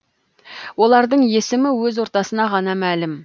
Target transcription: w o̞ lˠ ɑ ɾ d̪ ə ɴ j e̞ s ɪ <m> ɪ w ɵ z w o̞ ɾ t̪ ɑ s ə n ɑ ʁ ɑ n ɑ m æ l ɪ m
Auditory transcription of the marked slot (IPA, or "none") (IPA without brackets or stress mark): m